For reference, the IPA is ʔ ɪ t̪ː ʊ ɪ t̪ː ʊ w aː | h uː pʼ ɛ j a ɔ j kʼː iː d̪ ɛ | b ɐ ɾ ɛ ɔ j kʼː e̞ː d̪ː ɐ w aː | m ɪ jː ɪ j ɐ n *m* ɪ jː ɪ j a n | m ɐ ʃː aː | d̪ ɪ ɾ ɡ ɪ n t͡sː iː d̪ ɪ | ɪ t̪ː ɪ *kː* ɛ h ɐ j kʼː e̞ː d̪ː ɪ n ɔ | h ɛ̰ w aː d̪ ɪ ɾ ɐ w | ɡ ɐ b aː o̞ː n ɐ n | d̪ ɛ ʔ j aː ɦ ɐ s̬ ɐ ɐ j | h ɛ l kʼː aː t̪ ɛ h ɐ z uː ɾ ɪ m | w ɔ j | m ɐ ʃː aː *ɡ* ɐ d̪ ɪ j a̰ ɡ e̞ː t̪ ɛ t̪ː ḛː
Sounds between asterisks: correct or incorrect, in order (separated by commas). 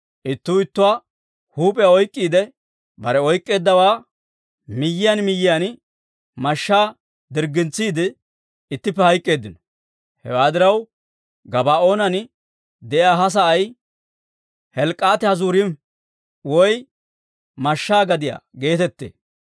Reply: correct, incorrect, correct